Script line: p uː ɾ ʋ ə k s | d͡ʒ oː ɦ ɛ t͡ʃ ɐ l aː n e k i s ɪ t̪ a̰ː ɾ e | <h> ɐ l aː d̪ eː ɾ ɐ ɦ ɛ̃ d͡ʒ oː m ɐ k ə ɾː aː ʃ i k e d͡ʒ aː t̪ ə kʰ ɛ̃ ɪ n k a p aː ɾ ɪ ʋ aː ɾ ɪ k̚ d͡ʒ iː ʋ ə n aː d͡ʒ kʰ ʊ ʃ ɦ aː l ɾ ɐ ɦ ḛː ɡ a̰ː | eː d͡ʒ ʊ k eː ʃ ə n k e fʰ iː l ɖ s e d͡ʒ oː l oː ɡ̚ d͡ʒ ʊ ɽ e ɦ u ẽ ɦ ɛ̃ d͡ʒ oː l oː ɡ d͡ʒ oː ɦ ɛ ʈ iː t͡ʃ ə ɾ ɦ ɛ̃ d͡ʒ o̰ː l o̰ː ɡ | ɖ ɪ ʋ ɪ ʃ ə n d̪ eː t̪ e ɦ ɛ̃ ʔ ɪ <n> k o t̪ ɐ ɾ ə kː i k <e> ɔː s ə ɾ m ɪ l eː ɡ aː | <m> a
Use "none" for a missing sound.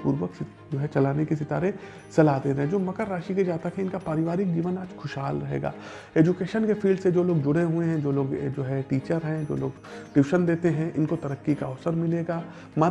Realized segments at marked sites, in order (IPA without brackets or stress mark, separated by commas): s, n, a, m